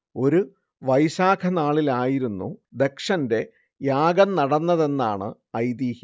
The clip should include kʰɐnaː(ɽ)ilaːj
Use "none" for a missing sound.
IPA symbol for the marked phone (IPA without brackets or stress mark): ɭ